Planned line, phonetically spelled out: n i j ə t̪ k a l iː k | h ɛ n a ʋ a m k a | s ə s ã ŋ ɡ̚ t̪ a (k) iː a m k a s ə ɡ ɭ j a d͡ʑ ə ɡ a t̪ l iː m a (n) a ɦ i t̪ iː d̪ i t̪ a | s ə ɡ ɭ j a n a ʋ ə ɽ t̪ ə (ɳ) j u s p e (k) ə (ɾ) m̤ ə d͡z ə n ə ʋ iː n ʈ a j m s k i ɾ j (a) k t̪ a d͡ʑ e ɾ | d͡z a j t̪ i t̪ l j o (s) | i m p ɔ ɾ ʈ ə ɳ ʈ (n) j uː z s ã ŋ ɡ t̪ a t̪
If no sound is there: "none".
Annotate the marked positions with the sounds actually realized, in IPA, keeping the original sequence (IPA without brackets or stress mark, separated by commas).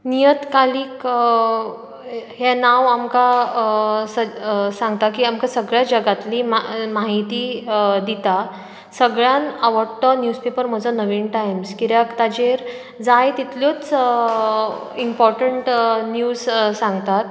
k, m, n, p, ɾ, a, t͡s, n